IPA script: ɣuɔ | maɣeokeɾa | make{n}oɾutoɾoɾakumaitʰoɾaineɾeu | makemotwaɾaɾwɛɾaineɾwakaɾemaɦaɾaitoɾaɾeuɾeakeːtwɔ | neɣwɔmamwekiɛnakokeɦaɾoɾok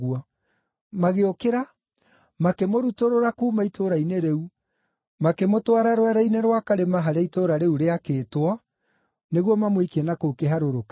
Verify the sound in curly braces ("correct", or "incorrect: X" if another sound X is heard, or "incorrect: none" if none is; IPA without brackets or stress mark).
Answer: incorrect: m